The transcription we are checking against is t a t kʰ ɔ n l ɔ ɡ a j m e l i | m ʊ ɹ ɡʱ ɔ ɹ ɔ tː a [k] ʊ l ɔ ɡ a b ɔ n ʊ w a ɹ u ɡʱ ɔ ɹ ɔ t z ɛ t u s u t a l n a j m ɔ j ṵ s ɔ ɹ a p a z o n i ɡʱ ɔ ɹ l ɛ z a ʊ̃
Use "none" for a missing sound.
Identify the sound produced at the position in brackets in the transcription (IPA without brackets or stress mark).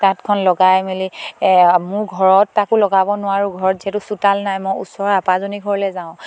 k